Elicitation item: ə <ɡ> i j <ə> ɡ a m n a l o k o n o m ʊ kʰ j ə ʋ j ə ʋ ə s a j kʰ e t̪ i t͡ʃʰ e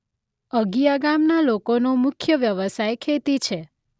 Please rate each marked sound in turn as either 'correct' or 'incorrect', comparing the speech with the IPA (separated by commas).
correct, incorrect